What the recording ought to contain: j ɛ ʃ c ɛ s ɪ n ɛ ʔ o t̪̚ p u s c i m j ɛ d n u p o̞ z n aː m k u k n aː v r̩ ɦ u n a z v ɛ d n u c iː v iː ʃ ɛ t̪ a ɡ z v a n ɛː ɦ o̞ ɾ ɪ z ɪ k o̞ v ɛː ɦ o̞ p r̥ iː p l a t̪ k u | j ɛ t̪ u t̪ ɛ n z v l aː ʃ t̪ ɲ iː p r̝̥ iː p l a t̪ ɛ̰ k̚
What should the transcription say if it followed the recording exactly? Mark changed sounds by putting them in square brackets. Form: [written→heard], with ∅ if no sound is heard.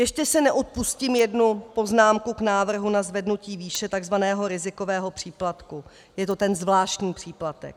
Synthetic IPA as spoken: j ɛ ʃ c ɛ s ɪ n ɛ ʔ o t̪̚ p u s c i m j ɛ d n u p o̞ z n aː m k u k n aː v r̩ ɦ u n a z v ɛ d n u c iː v iː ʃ ɛ t̪ a ɡ z v a n ɛː ɦ o̞ ɾ ɪ z ɪ k o̞ v ɛː ɦ o̞ p r̥ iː p l a t̪ k u | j ɛ t̪ [u→o] t̪ ɛ n z v l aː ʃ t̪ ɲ iː p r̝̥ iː p l a t̪ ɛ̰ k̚